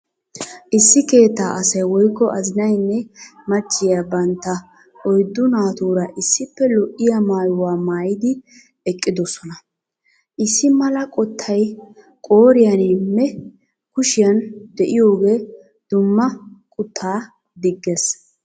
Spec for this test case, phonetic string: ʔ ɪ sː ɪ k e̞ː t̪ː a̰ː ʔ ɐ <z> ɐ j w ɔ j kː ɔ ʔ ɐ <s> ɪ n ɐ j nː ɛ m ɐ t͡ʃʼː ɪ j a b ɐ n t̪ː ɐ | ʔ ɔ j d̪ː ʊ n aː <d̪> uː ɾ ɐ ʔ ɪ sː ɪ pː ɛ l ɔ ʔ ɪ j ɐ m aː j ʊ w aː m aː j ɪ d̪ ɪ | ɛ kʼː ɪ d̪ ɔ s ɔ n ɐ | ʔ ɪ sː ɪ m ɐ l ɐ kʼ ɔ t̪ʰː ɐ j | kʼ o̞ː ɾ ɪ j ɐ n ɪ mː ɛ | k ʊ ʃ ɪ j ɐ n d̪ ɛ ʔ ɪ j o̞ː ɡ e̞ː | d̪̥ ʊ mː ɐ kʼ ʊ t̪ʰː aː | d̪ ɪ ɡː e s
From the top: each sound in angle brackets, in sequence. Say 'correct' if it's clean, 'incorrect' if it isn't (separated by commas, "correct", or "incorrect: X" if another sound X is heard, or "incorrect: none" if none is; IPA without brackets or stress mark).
incorrect: s, incorrect: z, incorrect: t̪